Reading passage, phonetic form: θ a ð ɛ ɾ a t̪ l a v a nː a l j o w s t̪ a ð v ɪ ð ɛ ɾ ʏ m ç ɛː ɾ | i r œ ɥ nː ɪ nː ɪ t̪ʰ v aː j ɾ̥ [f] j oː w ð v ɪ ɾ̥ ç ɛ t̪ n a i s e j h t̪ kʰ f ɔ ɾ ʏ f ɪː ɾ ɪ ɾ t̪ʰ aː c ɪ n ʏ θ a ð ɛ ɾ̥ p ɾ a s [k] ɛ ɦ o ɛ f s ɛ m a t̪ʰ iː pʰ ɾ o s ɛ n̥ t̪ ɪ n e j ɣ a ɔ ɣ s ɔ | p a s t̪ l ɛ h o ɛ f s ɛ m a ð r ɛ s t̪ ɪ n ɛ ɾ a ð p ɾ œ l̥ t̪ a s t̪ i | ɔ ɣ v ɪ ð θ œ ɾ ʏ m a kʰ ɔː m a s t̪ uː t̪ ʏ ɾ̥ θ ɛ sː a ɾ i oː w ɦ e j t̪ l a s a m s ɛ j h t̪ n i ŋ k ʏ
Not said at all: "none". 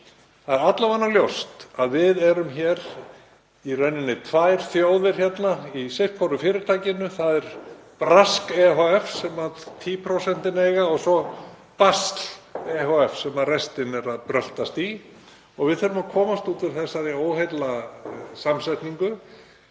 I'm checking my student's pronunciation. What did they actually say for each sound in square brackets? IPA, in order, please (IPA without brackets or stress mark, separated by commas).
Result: θ, k